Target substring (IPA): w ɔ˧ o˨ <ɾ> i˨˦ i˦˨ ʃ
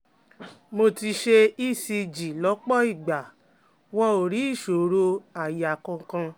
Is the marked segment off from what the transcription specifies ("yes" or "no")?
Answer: no